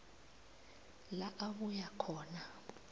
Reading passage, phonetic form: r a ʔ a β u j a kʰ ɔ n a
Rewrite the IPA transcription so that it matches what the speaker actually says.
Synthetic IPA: l a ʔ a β u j a kʰ ɔː n a